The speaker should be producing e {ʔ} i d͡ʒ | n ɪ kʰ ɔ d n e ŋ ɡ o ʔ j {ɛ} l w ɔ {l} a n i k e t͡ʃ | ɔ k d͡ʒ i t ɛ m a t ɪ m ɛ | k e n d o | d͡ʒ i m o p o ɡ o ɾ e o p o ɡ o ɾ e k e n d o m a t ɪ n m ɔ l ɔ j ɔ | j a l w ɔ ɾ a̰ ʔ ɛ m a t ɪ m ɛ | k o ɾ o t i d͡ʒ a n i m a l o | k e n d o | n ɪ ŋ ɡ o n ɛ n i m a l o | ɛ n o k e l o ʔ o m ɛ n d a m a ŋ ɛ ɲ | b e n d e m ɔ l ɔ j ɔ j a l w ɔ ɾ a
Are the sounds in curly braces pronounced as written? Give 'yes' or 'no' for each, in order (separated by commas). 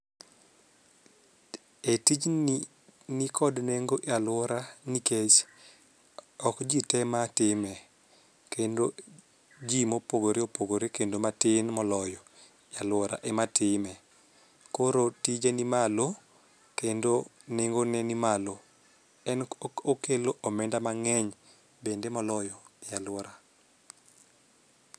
no, no, no